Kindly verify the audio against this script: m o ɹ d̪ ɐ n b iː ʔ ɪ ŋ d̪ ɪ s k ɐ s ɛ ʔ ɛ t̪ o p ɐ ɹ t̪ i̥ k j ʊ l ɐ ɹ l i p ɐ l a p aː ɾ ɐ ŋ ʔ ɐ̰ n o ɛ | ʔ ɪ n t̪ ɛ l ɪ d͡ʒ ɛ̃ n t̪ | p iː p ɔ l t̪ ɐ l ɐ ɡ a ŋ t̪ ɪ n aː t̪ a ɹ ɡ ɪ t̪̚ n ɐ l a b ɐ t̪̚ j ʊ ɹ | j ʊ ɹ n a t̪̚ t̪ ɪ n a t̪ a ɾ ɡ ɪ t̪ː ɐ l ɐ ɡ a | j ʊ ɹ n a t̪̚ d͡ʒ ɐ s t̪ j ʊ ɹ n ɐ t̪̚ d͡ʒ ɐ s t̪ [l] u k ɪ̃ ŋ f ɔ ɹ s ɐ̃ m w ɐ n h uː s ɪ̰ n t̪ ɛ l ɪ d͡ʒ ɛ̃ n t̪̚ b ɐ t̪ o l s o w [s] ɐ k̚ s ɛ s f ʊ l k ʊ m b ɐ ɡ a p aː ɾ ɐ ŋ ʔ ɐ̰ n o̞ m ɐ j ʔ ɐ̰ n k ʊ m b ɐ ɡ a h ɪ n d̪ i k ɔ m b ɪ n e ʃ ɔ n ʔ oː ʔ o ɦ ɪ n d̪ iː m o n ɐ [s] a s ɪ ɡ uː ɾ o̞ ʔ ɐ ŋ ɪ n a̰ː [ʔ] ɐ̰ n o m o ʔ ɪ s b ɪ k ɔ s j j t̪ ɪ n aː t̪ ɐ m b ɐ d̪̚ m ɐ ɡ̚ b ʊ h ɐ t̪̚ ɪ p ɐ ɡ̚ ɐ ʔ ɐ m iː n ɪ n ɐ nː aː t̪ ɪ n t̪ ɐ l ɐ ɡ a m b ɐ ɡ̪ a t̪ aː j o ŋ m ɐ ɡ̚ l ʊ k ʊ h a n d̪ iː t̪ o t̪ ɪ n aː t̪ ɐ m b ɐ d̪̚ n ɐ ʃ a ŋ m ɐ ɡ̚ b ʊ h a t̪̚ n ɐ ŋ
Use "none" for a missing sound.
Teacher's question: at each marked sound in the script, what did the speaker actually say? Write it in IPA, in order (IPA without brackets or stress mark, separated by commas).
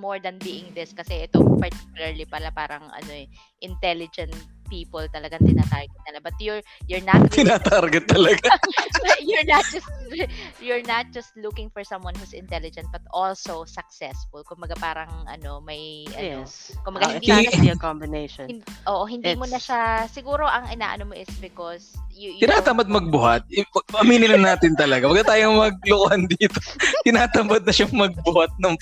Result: l, s, ʃ, ʔ